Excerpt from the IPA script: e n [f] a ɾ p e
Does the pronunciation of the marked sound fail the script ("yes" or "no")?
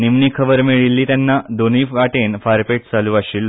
no